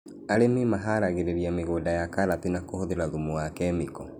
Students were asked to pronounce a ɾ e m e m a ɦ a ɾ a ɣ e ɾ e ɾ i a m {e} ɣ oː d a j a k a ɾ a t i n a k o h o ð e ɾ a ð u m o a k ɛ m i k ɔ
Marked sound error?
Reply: no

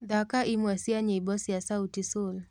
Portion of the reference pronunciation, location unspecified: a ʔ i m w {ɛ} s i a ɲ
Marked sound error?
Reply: yes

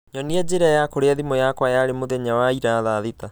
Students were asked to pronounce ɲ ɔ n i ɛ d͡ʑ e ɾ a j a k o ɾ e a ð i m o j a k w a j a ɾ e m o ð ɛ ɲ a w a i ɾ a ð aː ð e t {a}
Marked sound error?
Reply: no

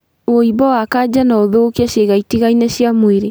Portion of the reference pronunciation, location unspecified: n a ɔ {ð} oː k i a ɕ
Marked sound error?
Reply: no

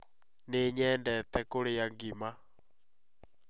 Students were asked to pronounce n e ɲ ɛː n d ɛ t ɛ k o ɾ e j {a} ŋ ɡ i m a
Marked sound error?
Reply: no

